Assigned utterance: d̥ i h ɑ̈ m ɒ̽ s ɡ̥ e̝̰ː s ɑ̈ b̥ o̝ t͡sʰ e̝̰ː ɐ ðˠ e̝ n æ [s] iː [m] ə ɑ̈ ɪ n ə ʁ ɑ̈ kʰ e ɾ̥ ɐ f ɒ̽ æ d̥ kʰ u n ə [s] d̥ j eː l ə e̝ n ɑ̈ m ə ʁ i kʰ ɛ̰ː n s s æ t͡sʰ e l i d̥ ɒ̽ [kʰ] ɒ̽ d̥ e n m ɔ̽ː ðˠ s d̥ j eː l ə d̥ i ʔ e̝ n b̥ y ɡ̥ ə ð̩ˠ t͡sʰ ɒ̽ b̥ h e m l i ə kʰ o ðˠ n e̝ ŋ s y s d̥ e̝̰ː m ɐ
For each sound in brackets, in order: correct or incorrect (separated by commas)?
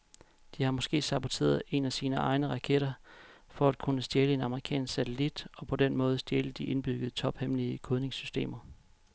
correct, incorrect, correct, incorrect